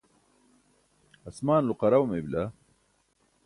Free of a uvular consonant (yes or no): no